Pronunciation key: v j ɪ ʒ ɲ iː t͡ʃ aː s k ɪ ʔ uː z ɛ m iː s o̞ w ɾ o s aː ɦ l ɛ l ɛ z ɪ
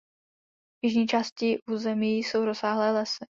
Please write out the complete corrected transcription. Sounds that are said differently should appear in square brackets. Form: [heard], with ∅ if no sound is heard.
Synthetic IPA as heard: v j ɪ ʒ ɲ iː t͡ʃ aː s [c] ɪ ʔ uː z ɛ m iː s o̞ w ɾ o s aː ɦ l [ɛː] l ɛ [s] ɪ